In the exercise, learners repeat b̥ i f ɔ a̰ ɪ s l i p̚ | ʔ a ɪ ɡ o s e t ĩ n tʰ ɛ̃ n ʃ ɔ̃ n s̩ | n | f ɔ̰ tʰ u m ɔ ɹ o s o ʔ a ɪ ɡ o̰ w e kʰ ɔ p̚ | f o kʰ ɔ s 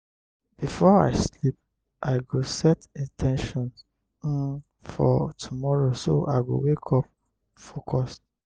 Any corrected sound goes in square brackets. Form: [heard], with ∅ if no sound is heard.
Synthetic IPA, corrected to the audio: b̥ i f ɔ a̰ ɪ s l i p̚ | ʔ a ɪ ɡ o s [ɛ] t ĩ n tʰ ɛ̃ n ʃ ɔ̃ n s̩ | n | f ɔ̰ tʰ u m ɔ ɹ o s o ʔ a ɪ ɡ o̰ w e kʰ ɔ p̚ | f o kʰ ɔ s